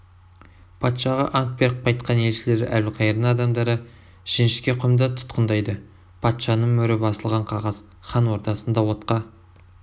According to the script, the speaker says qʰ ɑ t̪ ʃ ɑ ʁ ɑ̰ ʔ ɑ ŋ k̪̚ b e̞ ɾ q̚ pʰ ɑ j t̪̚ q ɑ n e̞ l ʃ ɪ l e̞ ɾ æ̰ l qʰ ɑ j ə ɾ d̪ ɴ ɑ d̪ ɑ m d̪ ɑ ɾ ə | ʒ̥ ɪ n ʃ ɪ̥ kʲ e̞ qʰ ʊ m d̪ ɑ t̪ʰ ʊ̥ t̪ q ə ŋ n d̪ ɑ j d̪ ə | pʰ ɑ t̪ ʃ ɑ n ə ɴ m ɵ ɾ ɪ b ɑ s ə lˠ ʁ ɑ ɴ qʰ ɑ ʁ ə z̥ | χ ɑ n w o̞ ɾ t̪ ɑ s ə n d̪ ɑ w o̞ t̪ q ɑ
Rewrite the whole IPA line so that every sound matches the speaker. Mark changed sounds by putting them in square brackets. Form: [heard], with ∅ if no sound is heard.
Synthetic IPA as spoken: [pʰ] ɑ t̪ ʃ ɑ ʁ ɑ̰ ʔ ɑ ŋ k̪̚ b e̞ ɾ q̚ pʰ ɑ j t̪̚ q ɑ n e̞ l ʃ ɪ l e̞ ɾ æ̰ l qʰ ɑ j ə ɾ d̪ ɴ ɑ d̪ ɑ m d̪ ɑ ɾ ə | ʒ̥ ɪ n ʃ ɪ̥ kʲ e̞ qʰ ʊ m d̪ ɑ t̪ʰ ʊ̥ t̪ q ə [∅] n d̪ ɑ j d̪ ə | pʰ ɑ t̪ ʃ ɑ n ə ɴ m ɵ ɾ ɪ b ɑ s ə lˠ ʁ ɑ ɴ qʰ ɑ ʁ [ɑ] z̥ | χ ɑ n w o̞ ɾ t̪ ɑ s ə n d̪ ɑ w o̞ t̪ q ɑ